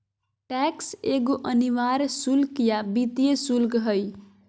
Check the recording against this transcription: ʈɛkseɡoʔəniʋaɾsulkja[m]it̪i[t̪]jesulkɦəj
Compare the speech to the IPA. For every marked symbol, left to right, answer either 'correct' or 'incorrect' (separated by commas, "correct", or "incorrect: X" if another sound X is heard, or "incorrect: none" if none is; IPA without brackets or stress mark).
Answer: incorrect: b, incorrect: none